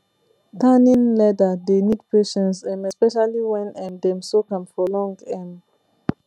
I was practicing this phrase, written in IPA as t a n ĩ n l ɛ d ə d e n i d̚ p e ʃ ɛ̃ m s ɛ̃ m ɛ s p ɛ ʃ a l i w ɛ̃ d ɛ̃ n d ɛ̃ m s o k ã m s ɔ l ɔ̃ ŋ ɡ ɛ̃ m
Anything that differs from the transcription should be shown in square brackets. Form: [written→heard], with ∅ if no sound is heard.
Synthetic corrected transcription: t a n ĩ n l ɛ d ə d e n i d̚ p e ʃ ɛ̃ [m→n] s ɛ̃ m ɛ s p ɛ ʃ a l i w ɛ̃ [d→n] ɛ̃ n d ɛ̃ m s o k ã m [s→f] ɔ l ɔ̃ ŋ ɡ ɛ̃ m